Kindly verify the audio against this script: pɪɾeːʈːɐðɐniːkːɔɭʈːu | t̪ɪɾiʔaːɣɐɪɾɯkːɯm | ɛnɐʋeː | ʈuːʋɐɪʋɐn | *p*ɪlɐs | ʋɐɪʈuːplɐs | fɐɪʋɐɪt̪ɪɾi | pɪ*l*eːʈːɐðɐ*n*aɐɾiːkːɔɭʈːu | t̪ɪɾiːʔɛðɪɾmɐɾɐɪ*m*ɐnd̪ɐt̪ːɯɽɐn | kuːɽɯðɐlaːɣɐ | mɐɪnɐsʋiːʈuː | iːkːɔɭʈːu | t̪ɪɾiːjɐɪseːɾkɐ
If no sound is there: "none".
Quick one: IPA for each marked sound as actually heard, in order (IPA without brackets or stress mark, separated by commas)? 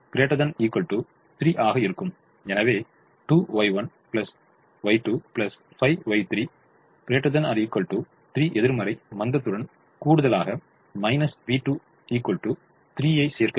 p, ɾ, n, m